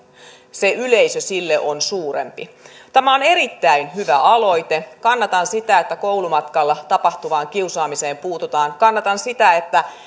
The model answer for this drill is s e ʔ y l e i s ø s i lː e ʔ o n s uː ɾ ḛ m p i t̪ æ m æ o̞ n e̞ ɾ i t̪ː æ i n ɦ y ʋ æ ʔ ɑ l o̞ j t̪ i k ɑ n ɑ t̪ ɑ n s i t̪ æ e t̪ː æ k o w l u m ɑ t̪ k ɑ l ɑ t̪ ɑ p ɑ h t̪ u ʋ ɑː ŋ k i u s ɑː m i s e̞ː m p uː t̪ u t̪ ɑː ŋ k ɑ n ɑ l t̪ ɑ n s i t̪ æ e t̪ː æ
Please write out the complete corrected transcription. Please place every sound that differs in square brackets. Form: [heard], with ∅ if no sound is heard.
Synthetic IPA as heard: s e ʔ y l e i s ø s i lː e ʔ o n s uː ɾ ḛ m p i t̪ æ m æ o̞ n e̞ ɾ i t̪ː æ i n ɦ y ʋ æ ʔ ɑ l o̞ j t̪ [e] k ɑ [nː] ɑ t̪ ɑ n s i t̪ æ e t̪ː æ k o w l u m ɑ t̪ k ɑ [lː] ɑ t̪ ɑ p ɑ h t̪ u ʋ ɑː ŋ k i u s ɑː m i s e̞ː m p uː t̪ u t̪ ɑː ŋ k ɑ [nː] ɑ [∅] t̪ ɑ n s i t̪ æ e t̪ː æ